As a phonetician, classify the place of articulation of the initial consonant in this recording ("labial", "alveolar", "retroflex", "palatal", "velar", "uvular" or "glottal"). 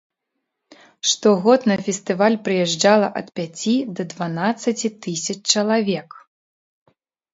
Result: retroflex